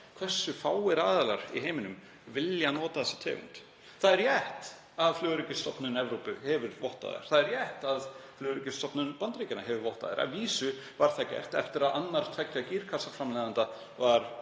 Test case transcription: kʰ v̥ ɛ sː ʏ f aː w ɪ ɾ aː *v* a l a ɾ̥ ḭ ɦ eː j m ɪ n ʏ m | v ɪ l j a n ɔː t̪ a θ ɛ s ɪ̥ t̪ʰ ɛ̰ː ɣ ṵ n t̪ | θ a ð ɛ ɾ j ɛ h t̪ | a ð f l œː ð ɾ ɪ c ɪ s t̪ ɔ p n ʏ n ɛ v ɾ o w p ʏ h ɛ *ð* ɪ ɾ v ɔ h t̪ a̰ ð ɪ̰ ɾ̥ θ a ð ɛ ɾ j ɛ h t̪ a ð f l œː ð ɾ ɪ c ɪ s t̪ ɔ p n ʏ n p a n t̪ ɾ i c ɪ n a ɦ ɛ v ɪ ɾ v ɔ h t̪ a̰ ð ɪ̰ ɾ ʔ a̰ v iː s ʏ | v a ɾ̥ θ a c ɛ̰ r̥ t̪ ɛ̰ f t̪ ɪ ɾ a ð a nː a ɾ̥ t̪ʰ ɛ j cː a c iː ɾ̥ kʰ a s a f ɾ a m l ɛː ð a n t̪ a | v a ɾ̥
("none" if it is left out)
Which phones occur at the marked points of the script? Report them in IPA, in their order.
ð, v

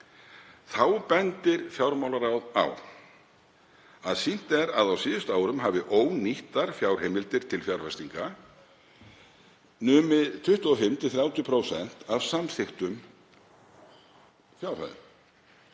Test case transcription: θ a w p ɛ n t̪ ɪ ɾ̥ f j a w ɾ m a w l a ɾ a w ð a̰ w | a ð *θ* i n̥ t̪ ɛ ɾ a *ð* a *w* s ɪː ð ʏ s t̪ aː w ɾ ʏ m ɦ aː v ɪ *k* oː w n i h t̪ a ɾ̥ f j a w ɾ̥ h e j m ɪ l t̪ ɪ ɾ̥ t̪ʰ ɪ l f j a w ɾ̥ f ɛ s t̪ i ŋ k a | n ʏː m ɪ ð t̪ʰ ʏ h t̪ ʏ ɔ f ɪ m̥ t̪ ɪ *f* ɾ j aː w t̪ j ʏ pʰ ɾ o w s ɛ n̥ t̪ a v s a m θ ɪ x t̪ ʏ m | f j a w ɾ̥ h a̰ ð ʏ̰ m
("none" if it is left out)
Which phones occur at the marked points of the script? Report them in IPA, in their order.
s, ð, w, ʔ, θ

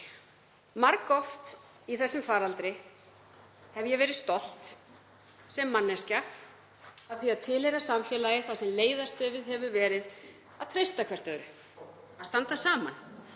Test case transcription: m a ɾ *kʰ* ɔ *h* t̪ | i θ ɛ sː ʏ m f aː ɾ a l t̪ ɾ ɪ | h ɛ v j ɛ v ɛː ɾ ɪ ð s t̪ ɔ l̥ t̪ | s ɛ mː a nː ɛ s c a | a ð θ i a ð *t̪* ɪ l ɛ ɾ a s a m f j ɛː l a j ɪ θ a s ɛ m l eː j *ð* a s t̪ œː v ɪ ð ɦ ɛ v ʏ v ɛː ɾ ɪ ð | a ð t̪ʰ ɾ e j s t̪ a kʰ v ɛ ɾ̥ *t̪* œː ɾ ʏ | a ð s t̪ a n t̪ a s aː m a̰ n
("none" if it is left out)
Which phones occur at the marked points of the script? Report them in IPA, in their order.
k, f, t̪ʰ, ð, t̪

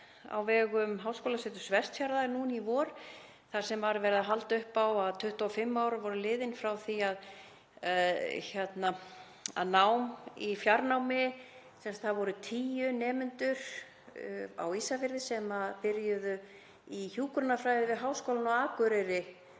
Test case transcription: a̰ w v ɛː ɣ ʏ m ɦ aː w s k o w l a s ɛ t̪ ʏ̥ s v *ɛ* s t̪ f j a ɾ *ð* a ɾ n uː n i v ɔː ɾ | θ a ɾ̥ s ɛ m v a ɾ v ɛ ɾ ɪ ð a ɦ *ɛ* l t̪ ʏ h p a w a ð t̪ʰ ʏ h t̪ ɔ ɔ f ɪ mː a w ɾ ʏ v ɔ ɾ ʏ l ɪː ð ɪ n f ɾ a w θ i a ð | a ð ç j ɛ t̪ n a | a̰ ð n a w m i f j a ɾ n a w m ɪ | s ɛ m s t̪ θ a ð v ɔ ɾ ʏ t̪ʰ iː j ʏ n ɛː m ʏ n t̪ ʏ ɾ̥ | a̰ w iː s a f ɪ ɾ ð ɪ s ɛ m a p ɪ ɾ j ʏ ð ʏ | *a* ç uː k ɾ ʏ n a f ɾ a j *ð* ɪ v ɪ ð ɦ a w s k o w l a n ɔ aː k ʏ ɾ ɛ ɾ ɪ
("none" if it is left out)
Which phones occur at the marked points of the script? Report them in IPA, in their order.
ɛ, ð, a, i, ð

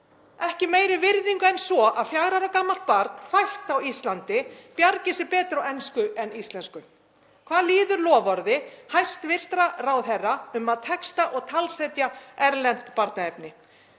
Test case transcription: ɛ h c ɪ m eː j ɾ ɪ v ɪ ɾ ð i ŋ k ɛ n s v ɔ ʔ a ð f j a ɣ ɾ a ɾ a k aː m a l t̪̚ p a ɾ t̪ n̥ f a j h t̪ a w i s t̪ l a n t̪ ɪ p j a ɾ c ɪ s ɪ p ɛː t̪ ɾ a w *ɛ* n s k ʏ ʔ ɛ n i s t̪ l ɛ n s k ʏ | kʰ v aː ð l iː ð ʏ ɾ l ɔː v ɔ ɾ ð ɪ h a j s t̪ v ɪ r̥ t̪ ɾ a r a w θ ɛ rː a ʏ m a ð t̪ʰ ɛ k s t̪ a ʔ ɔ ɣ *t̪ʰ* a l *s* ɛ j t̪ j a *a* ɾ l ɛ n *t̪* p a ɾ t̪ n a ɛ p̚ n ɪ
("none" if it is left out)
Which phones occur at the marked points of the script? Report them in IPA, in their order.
ɛ, t̪ʰ, s, ɛ, t̪

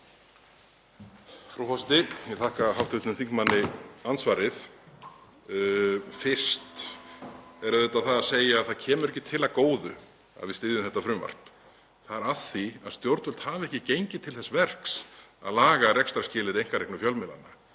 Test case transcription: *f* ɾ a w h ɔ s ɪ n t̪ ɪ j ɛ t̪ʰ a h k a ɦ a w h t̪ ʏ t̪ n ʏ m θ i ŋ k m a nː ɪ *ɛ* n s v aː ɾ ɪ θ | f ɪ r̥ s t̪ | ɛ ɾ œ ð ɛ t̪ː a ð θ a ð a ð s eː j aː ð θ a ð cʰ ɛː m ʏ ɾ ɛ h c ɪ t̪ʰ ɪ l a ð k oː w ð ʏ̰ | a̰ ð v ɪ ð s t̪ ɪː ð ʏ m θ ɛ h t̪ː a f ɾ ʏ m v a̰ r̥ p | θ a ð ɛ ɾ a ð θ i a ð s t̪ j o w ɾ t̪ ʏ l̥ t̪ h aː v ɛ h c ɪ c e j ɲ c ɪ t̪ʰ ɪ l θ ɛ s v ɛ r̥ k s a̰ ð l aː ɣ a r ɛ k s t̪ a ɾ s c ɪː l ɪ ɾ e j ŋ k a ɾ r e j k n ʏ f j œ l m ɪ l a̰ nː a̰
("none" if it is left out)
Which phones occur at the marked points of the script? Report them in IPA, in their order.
f, a

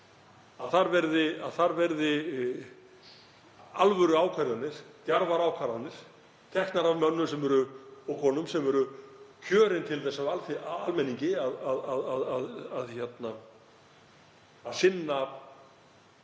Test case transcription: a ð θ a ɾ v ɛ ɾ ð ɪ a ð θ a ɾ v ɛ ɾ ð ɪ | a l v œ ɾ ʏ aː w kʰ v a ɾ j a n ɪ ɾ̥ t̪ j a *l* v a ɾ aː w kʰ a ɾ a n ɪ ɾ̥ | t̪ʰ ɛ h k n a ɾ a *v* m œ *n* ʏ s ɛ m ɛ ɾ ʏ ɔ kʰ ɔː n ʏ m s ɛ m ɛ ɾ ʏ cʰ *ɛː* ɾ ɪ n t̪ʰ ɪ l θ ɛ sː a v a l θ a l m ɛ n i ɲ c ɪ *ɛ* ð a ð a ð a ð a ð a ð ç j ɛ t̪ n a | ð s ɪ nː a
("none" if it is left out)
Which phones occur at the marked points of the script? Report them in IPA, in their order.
ɾ, v, nː, œː, a

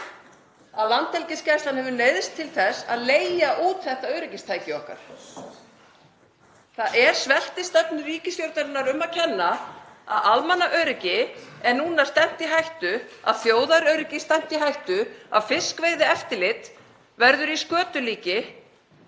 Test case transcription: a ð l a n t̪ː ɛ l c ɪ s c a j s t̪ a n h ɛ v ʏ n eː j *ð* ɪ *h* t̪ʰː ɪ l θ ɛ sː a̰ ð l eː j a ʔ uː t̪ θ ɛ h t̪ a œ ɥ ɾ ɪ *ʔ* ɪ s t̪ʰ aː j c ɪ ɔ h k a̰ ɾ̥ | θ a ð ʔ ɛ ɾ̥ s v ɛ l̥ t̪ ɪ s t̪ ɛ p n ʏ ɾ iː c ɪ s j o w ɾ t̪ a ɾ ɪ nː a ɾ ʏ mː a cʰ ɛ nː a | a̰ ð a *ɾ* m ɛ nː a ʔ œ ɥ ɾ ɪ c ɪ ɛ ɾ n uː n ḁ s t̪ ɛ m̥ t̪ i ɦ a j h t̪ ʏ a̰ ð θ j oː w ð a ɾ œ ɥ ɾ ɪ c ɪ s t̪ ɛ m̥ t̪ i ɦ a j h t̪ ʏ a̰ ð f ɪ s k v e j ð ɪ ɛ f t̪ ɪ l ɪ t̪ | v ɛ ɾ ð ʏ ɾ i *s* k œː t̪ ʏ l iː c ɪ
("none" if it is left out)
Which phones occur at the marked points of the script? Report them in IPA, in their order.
ð, s, c, l, s

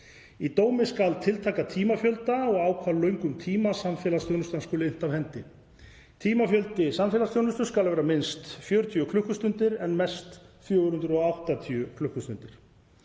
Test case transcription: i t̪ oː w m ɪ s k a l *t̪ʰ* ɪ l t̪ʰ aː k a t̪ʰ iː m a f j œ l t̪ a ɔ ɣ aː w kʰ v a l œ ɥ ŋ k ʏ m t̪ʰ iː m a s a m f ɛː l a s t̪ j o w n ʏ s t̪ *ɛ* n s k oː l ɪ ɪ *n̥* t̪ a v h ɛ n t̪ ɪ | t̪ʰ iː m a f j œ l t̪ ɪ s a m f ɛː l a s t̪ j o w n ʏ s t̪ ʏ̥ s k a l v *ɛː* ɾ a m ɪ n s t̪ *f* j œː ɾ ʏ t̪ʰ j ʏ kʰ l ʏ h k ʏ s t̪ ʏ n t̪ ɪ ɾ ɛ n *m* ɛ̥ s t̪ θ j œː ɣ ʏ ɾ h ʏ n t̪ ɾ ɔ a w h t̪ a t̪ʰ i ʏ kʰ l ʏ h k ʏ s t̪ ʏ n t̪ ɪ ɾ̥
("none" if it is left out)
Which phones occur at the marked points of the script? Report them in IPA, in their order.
t̪ʰ, a, n̥, ɛː, f, m

